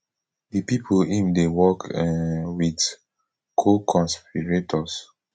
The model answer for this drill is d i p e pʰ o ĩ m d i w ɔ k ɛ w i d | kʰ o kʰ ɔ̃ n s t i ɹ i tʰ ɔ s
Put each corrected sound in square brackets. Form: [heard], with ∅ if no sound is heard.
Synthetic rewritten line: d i p [i] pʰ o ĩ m d [e] w ɔ k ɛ w i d | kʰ o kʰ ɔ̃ n s [p] i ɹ [e] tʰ ɔ s

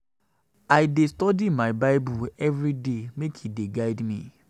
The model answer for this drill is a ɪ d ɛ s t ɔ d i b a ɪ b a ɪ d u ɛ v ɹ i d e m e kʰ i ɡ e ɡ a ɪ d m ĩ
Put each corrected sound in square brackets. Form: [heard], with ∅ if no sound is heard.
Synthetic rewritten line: a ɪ d [e] s t ɔ d i [m] a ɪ b a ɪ [b] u ɛ v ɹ i d e m e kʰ i [d] e ɡ a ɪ d m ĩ

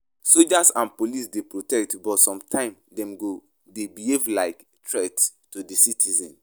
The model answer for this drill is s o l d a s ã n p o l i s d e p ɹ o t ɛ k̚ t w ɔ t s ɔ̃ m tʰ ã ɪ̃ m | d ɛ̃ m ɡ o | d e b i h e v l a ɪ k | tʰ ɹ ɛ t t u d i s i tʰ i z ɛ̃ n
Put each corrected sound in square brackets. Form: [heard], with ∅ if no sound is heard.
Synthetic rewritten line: s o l [d͡ʒ] a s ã n p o l i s d e p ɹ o t ɛ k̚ t [b] ɔ t s ɔ̃ m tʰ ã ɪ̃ m | d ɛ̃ m ɡ o | d e b i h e v l a ɪ k | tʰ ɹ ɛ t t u d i s i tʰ i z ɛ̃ n

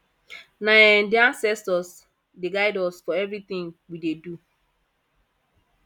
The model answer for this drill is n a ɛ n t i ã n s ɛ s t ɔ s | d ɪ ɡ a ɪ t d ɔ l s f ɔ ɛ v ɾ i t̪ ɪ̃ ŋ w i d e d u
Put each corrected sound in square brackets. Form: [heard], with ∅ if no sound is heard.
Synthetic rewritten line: n a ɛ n [d] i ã n s ɛ s t ɔ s | d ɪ ɡ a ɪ [∅] d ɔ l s f ɔ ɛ v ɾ i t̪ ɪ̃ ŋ w i d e d u

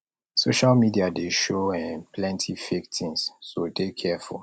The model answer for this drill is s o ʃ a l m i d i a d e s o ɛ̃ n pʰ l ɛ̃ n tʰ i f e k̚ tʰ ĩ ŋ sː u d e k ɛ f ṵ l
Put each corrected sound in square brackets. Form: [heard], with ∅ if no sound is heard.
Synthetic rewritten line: s o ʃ a l m i d i a d e [ʃ] o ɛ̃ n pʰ l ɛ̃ n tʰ i f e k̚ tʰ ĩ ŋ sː [o] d e [kʰ] ɛ f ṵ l

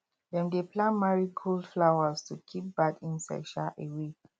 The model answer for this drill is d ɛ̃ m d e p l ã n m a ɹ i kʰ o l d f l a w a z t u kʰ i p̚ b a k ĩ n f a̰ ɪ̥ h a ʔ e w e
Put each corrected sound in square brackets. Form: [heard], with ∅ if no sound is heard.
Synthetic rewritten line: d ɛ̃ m d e p l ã n m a ɹ i kʰ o l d f l a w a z t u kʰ i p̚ b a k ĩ n [s] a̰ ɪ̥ [ʃ] a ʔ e w e

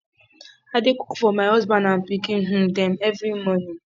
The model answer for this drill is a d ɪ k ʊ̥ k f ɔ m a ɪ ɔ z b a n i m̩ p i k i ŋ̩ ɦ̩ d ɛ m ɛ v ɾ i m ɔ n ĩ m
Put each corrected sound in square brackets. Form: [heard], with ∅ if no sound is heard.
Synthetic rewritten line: a d ɪ k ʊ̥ k f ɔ m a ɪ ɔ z b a n [a] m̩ p i k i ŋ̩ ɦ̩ d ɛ m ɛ v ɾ i m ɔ n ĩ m

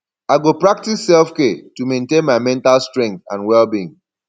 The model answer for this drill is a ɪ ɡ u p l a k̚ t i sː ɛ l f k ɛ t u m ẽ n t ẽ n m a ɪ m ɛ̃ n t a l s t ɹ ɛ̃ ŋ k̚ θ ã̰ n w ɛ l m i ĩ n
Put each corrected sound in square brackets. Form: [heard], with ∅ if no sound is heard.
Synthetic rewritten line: a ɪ ɡ [o] p [ɹ] a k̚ t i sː ɛ l f k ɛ t u m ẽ n t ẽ n m a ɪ m ɛ̃ n t a l s t ɹ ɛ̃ ŋ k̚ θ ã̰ n w ɛ l [b] i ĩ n

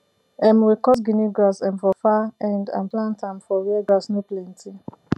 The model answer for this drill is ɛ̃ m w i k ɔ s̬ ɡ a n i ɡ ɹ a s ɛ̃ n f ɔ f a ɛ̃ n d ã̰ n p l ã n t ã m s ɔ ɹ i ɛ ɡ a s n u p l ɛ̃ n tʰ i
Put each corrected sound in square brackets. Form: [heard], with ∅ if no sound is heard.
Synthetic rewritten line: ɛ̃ m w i k ɔ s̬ ɡ [i] n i ɡ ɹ a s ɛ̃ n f ɔ f a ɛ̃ n d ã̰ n p l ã n t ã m [f] ɔ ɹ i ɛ ɡ a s n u p l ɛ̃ n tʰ i

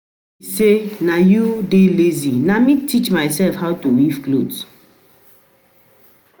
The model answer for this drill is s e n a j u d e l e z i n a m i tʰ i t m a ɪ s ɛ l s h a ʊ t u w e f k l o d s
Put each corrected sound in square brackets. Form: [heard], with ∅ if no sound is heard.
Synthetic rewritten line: s e n a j u d e l e z i n a m i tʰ i [t͡ʃ] m a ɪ s ɛ l [f] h a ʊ t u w [i] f k l o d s

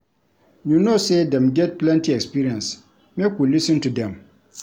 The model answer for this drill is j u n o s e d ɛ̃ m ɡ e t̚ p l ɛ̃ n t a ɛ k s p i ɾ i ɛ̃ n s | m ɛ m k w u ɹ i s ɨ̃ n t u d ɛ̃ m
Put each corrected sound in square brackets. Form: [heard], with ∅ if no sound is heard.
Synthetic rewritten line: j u n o s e d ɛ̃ m ɡ [ɛ] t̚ p l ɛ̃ n t [i] ɛ k s p i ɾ i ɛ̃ n s | m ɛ [∅] k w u [l] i s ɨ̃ n t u d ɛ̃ m

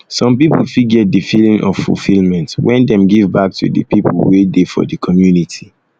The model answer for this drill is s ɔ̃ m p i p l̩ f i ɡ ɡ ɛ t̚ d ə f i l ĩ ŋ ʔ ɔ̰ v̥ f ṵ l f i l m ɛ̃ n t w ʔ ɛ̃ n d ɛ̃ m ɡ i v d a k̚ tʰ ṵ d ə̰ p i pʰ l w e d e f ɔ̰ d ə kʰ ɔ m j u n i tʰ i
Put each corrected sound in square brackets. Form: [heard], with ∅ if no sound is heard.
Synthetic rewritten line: s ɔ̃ m p i p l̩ f i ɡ ɡ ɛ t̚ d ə f i l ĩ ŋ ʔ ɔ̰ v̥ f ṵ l f i l m ɛ̃ n t w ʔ ɛ̃ n d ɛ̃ m ɡ i v [b] a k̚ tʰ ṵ d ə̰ p i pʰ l w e d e f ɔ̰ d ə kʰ ɔ m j u n i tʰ i

